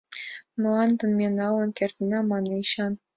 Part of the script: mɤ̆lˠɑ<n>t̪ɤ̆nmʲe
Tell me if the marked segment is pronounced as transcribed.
yes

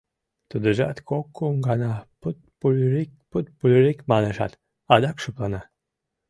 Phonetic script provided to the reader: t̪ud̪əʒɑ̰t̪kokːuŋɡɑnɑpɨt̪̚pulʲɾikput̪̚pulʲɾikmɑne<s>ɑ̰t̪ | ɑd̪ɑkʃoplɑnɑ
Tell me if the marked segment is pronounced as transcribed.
no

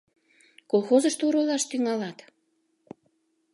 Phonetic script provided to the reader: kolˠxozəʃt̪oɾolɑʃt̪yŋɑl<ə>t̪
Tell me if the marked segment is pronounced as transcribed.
no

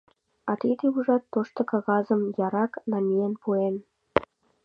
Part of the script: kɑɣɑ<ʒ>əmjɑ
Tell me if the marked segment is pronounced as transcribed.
no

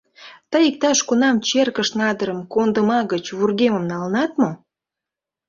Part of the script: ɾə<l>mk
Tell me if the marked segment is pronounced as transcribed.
no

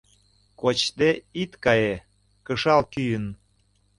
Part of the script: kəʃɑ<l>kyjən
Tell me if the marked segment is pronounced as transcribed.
yes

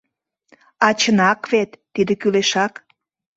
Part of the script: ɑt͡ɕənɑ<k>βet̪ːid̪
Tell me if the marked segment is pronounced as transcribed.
yes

